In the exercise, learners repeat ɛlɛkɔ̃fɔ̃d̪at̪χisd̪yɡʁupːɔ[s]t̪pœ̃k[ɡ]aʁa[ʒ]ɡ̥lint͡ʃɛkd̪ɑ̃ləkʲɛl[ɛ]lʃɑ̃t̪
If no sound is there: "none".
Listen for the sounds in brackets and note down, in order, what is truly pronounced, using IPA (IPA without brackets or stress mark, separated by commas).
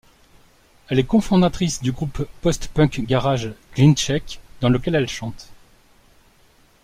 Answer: s, ɡ, ʒ, ɛ